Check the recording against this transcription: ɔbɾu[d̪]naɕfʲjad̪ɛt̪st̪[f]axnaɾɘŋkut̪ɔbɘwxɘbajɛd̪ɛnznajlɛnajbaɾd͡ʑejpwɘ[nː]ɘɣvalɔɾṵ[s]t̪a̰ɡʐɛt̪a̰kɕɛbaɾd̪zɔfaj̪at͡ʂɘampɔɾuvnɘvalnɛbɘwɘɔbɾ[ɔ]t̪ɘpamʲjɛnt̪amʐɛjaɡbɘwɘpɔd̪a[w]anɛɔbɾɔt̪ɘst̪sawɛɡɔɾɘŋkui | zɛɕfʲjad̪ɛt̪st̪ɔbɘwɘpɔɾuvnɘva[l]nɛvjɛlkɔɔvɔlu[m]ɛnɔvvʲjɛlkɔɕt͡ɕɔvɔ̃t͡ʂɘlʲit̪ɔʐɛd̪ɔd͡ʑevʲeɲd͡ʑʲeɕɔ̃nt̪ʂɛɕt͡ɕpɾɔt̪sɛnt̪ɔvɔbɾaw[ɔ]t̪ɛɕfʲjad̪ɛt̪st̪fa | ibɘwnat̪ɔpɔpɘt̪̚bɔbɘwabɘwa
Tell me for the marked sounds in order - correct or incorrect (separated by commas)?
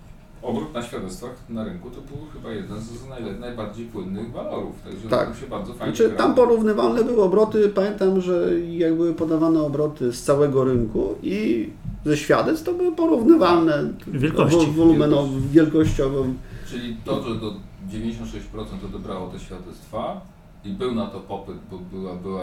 incorrect, correct, correct, incorrect, correct, incorrect, correct, correct, correct